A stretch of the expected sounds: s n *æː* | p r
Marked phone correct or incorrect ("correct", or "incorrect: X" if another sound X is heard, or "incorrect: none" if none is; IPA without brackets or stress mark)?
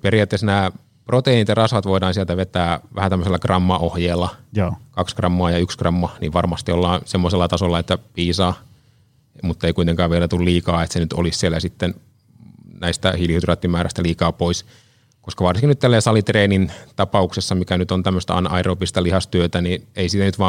correct